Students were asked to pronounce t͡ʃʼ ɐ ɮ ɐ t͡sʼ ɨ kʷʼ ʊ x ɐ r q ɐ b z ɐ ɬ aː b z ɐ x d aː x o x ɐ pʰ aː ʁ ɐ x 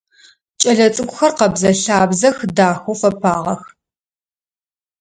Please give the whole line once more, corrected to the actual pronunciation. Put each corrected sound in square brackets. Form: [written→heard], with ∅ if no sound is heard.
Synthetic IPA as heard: t͡ʃʼ ɐ ɮ ɐ t͡sʼ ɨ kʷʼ ʊ x ɐ r q ɐ b z ɐ ɬ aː b z ɐ x d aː x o [x→f] ɐ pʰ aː ʁ ɐ x